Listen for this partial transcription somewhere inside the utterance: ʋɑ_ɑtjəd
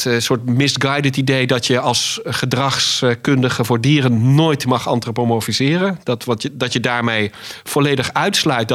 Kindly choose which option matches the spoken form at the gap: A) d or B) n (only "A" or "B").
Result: A